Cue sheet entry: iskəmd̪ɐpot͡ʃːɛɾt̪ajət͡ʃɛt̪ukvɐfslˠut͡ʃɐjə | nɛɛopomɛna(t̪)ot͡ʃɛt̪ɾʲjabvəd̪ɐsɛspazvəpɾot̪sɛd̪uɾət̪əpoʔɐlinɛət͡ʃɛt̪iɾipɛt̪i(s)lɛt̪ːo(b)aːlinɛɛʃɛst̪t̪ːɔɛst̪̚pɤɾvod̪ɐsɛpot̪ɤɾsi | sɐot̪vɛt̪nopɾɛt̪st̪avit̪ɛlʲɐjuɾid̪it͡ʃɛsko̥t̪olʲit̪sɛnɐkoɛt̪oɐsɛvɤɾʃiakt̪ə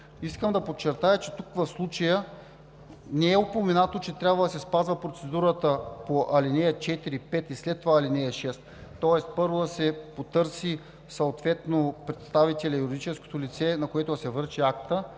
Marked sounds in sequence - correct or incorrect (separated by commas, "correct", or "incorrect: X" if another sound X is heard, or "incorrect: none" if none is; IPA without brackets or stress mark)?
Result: correct, correct, incorrect: v